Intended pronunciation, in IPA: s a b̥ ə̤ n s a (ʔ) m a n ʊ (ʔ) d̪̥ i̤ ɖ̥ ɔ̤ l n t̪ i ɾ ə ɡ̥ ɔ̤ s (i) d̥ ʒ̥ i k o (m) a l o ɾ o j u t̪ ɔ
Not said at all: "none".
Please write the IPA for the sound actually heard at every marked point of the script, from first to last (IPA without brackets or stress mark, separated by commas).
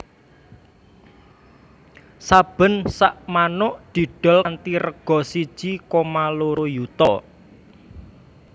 ʔ, ʔ, i, m